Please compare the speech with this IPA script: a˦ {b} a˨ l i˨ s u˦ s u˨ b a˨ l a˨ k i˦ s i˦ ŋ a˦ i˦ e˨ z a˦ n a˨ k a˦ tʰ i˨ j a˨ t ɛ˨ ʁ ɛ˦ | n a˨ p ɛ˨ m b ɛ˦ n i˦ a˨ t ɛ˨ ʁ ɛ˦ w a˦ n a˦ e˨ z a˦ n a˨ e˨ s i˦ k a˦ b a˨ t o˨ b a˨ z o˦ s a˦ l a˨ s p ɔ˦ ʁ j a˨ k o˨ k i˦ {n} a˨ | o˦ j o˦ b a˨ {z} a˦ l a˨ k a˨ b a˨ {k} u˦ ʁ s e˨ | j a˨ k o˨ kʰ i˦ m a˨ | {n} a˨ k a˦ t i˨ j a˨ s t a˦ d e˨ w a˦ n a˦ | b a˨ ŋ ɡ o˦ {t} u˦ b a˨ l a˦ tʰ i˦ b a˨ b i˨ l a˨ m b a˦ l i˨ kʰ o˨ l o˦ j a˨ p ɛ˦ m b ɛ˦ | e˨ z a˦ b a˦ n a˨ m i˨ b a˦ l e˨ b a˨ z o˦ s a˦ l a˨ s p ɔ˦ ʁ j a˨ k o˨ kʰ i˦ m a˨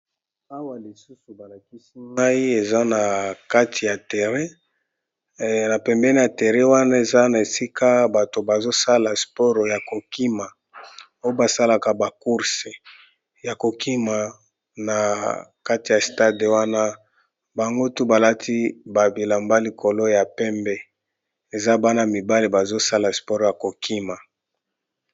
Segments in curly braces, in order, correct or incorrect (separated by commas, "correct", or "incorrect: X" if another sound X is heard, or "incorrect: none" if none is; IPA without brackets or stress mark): incorrect: w, incorrect: m, incorrect: s, correct, correct, correct